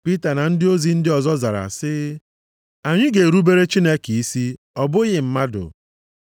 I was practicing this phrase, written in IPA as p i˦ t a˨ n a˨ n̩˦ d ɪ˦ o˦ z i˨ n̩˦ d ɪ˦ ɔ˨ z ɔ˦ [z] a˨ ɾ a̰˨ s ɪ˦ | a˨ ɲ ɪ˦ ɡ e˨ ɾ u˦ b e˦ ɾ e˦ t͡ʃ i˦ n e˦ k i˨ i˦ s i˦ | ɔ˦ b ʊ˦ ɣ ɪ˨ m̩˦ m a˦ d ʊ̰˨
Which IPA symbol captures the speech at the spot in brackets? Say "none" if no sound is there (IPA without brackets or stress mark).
z